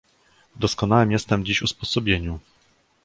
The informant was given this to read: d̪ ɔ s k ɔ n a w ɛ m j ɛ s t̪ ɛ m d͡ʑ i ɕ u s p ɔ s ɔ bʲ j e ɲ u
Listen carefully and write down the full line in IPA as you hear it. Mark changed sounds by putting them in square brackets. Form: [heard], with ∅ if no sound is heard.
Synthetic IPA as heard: d̪ ɔ s k ɔ n a w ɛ m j ɛ s t̪ ɛ m d͡ʑ i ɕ u s p ɔ s ɔ bʲ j e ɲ u